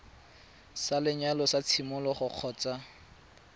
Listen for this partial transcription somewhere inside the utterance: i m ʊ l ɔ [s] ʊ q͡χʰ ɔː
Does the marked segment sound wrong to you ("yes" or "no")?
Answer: yes